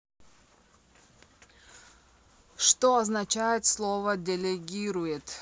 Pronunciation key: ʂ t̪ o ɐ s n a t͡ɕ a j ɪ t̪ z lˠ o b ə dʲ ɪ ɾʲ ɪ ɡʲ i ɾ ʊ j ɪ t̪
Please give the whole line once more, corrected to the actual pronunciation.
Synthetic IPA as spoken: ʂ t̪ o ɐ z n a t͡ɕ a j ɪ t̪ s lˠ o v ə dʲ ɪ lʲ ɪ ɡʲ i ɾ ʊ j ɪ t̪